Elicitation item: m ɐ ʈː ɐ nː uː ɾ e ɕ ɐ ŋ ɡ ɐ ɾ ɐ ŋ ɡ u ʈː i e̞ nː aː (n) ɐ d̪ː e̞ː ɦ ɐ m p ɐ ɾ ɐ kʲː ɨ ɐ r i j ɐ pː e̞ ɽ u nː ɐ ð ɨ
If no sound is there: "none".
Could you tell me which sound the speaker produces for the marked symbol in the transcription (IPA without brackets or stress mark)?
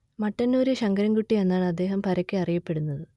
ɳ